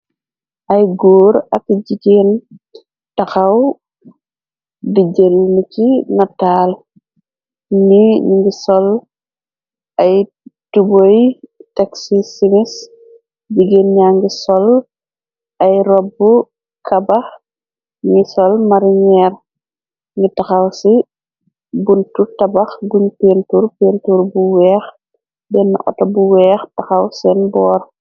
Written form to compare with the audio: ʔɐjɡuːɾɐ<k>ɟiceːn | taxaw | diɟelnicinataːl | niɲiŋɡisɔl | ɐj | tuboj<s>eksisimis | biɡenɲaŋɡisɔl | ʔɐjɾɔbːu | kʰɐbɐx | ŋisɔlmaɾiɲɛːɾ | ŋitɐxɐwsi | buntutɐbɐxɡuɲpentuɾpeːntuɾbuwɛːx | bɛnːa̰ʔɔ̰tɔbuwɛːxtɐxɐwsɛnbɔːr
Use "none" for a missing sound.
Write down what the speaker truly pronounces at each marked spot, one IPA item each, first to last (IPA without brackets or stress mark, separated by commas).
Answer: k, t